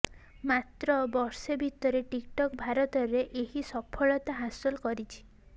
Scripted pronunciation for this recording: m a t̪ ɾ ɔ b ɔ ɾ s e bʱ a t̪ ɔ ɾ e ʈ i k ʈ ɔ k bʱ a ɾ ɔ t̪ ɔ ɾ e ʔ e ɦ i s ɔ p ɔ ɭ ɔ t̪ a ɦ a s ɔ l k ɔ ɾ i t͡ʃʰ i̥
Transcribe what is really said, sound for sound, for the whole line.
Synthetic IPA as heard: m a t̪ ɾ ɔ b ɔ ɾ s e bʱ i t̪ ɔ ɾ e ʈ i k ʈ ɔ k bʱ a ɾ ɔ t̪ ɔ ɾ e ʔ e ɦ i s ɔ pʰ ɔ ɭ ɔ t̪ a ɦ a s ɔ l k ɔ ɾ i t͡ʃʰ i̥